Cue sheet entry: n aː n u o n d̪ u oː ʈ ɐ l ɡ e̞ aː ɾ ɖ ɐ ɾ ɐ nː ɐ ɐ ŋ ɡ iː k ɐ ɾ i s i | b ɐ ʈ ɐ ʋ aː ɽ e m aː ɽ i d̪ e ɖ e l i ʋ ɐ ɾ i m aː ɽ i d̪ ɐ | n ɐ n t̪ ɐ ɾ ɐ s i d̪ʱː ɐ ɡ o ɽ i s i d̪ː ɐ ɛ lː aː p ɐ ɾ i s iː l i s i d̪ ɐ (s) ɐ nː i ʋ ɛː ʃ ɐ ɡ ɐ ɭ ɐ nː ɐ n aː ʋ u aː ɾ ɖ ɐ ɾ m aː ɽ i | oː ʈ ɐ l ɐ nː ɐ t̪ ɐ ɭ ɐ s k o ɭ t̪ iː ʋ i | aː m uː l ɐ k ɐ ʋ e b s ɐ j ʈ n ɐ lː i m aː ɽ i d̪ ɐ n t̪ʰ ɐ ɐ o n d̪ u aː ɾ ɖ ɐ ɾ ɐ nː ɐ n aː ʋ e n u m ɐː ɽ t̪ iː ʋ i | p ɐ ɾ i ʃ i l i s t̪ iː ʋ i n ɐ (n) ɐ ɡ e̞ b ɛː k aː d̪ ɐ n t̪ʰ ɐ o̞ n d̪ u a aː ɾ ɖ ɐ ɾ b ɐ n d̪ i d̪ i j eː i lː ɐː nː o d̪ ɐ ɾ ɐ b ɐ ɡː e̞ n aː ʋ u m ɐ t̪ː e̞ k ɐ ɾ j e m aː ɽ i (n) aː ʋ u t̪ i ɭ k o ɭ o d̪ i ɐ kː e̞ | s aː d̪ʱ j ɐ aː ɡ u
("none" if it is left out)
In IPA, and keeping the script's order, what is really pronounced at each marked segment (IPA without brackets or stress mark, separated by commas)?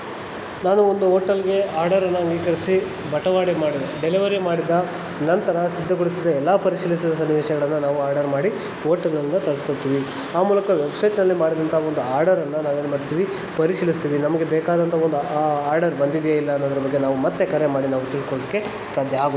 s, m, n